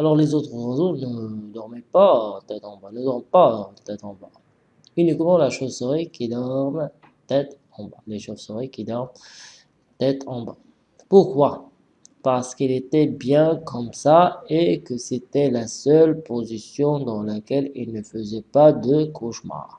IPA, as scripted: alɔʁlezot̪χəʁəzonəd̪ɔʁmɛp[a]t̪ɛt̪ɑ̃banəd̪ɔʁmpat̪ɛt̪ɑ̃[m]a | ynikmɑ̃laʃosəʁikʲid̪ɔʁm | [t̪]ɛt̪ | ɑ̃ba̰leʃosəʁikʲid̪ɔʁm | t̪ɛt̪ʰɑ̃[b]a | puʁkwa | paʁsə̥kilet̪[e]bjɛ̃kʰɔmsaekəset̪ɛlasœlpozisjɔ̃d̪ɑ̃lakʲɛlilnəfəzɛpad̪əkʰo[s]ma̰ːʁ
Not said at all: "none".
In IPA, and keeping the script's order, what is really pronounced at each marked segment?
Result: a, b, t̪, b, ɛ, ʃ

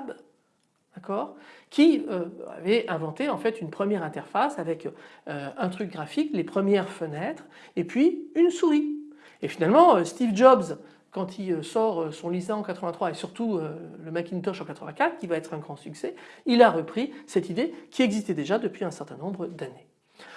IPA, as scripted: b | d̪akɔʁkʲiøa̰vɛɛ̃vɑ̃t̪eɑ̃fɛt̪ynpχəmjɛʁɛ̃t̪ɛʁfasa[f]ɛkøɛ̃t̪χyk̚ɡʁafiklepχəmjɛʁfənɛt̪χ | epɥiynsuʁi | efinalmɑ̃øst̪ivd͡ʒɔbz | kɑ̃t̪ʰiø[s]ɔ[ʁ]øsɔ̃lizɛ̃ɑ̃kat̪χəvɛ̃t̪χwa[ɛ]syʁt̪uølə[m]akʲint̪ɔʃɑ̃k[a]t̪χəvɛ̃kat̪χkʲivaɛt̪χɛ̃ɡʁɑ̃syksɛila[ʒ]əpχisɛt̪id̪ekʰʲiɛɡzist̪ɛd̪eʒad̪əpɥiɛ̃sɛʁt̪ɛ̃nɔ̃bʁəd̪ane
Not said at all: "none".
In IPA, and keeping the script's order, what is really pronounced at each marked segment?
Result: v, s, ʁ, e, m, a, ʁ

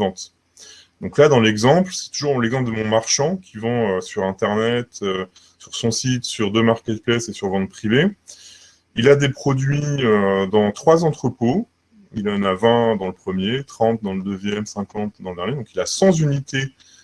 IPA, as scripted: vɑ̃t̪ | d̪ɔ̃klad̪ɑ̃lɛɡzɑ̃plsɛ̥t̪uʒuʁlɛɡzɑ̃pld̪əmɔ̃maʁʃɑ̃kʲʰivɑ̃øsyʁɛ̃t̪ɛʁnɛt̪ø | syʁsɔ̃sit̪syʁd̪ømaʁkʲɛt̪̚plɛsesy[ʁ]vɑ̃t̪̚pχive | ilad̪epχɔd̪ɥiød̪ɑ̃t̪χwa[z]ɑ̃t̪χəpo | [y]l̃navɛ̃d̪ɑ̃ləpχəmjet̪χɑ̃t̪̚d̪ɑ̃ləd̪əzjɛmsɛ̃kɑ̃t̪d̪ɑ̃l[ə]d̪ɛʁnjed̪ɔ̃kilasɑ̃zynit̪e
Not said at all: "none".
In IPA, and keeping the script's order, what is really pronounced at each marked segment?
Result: ʁ, z, i, ə

